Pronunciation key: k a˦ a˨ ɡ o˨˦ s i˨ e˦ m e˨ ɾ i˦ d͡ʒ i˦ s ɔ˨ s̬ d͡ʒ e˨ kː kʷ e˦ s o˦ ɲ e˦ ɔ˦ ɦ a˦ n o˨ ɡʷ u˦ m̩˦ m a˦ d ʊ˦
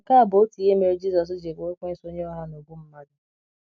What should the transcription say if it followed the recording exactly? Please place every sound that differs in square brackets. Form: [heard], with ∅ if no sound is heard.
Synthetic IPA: k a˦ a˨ [b] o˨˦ [t] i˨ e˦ m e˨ ɾ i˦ d͡ʒ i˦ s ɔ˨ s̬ d͡ʒ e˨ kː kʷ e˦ s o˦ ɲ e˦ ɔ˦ ɦ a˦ n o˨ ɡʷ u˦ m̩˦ m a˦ d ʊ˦